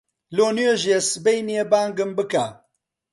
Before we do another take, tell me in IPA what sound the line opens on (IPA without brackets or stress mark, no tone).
l